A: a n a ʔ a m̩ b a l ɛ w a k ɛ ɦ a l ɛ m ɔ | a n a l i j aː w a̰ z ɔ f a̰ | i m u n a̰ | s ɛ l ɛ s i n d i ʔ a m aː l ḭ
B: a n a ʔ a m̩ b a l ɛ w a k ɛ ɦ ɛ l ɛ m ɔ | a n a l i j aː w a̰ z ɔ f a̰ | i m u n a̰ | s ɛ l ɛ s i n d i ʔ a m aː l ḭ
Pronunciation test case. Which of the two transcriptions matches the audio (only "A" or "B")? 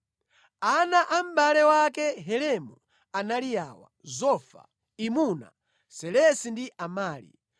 B